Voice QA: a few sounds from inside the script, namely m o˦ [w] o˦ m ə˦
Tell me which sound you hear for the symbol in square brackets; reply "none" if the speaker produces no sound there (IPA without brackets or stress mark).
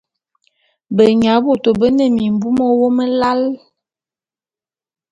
w